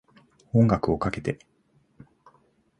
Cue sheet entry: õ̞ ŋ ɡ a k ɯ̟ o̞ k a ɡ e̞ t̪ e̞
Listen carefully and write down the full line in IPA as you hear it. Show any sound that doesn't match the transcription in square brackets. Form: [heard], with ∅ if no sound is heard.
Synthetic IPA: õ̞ ŋ ɡ a k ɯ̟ o̞ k a [k] e̞ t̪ e̞